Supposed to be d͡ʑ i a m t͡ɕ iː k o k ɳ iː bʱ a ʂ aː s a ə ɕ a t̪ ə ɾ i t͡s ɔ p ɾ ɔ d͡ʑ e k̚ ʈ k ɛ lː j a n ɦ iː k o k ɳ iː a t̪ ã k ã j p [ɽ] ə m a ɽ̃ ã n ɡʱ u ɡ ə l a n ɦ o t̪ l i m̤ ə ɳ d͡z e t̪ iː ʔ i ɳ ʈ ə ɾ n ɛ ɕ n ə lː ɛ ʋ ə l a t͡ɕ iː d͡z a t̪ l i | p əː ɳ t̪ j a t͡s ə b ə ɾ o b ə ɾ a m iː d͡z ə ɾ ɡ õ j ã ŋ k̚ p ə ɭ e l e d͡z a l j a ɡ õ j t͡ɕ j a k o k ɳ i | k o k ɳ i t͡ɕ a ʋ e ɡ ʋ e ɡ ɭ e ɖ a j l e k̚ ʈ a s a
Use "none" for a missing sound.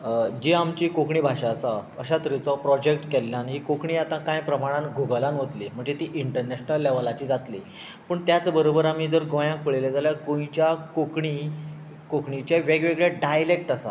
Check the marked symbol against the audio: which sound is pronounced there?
ɾ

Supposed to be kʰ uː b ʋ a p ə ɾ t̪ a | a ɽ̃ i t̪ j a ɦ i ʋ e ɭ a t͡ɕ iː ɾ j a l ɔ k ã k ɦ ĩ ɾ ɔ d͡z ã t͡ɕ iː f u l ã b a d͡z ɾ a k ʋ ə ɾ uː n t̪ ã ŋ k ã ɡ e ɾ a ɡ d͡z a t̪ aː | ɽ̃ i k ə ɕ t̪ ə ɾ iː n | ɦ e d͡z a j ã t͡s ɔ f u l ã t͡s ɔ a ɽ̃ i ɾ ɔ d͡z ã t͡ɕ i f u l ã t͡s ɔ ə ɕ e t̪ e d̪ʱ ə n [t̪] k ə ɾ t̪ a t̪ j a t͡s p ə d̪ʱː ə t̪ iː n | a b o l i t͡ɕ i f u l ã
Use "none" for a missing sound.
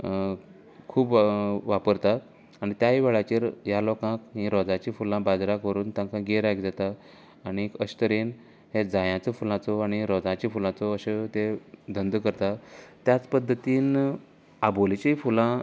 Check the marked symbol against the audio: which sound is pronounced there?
d̪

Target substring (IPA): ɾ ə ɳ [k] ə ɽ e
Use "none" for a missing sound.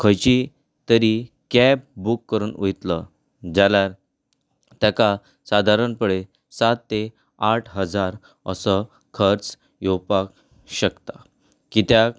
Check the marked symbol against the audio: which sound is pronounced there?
p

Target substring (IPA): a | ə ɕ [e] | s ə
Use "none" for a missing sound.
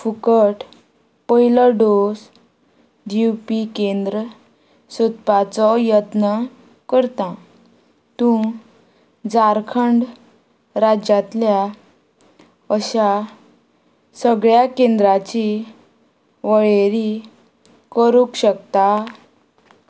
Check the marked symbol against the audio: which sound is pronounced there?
a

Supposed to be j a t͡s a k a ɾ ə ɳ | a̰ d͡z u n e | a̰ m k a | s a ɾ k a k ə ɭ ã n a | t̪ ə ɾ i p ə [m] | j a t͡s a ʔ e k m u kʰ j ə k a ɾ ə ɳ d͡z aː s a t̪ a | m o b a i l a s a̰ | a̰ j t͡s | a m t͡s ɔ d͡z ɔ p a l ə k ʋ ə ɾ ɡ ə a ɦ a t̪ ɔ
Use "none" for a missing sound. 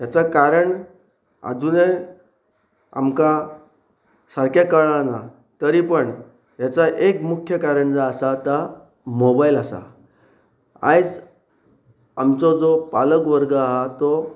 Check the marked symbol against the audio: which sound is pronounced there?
ɳ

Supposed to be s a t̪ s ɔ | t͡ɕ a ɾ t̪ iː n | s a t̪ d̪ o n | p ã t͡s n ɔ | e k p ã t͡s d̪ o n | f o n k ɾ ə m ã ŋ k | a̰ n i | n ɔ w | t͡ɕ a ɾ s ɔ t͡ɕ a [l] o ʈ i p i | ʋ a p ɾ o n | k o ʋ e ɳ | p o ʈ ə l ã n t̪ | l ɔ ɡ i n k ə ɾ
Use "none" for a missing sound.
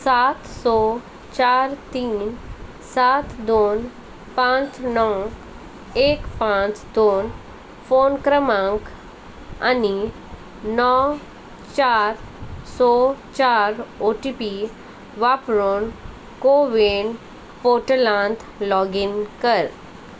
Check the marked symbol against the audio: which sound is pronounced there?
ɾ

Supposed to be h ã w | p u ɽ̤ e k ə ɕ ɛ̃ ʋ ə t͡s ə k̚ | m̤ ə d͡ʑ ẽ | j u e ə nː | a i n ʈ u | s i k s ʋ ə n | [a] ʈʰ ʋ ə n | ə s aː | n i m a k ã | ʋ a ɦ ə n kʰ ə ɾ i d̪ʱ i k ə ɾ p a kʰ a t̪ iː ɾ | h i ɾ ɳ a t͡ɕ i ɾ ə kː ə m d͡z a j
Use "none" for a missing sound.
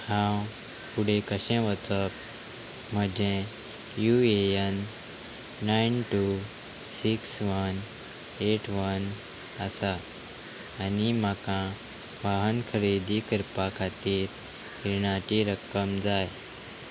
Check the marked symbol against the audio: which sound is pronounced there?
e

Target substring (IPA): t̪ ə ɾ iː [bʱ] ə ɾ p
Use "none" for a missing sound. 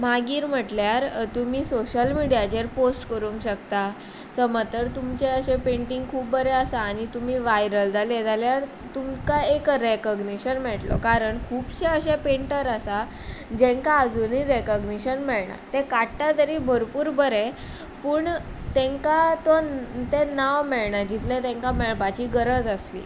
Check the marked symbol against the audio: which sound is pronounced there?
bʱ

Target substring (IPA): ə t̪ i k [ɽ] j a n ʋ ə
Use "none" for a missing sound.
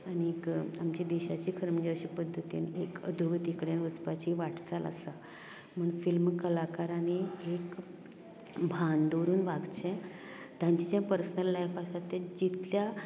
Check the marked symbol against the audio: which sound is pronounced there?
ɽ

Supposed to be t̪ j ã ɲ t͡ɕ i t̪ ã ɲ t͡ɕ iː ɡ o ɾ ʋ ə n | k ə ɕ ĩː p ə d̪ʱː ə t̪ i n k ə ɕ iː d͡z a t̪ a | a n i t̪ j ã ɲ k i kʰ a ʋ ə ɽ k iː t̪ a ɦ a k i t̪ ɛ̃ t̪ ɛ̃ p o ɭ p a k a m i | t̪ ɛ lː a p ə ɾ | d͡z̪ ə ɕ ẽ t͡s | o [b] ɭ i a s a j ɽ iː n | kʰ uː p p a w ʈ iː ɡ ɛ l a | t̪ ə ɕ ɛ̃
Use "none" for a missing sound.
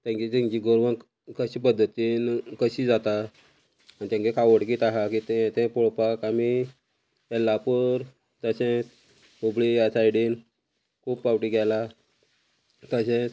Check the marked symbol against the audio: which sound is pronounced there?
b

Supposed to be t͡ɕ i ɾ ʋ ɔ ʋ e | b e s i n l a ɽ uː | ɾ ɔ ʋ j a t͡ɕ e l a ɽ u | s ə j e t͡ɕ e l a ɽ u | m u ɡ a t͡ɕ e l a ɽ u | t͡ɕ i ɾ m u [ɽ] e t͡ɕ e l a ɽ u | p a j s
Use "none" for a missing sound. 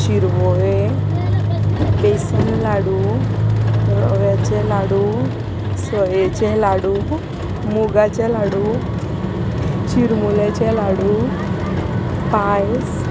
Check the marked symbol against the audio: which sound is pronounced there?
l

